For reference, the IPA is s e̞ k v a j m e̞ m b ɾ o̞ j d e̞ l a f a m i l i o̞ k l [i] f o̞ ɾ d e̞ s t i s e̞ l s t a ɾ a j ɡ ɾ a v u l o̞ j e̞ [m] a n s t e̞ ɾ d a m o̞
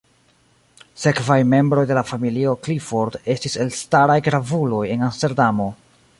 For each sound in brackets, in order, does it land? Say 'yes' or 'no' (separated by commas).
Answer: yes, no